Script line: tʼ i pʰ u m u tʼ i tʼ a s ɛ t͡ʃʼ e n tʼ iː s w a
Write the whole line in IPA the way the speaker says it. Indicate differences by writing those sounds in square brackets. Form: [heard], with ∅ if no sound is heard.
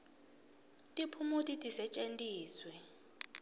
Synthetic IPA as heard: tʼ i pʰ u m u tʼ i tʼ [i] s ɛ t͡ʃʼ e n tʼ iː s w [ɛ]